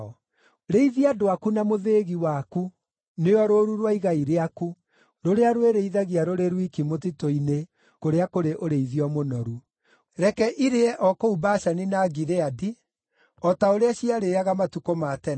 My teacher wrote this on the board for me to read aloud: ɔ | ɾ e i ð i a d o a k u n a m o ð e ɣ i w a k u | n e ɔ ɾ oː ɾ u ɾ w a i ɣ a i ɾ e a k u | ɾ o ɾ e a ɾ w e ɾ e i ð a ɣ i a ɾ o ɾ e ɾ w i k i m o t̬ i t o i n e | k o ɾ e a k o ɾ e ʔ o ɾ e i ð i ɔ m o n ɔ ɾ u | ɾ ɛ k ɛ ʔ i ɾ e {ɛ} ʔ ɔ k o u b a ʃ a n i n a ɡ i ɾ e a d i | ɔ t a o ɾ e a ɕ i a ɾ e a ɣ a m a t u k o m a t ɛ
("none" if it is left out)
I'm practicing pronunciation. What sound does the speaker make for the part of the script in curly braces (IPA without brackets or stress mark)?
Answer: ɛ